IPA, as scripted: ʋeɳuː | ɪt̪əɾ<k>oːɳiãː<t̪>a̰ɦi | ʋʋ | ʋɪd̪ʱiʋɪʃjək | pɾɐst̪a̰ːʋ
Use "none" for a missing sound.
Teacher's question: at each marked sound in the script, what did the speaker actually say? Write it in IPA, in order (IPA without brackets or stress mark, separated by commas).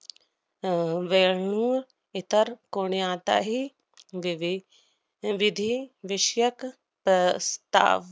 k, t̪